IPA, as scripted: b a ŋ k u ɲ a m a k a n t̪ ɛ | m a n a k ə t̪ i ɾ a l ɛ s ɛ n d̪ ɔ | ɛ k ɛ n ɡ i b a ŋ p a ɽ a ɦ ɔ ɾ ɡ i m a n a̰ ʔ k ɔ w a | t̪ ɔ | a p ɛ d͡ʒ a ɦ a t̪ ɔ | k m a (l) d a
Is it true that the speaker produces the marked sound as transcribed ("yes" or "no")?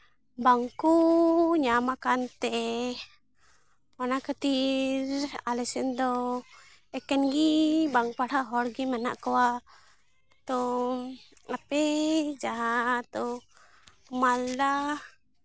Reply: yes